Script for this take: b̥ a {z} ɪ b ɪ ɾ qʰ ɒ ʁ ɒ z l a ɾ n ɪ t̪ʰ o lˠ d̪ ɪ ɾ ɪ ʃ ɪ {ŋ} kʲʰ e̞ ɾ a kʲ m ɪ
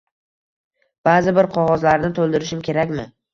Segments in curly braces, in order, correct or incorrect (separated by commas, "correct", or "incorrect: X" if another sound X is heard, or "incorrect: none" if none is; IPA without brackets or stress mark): correct, incorrect: m